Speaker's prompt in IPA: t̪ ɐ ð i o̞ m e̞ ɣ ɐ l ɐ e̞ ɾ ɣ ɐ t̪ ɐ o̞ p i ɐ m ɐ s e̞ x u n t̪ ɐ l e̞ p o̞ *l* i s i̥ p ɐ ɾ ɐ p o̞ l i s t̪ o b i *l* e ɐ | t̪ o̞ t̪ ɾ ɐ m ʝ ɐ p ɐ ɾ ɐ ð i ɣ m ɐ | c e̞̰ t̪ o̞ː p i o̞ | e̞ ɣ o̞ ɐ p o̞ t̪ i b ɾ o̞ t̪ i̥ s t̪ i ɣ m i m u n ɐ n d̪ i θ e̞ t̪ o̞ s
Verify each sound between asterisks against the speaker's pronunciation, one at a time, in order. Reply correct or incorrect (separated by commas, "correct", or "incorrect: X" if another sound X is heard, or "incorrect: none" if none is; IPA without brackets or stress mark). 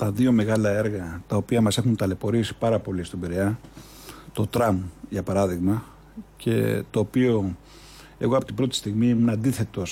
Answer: incorrect: ɾ, incorrect: ɾ